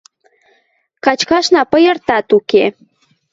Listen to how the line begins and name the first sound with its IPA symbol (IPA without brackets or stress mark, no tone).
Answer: k